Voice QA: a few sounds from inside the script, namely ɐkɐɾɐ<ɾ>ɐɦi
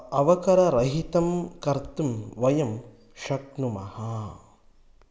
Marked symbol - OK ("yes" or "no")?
yes